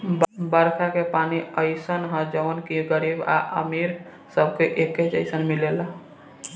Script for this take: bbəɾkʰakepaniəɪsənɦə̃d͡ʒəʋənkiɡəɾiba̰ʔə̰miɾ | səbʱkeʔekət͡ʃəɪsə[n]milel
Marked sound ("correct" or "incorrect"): correct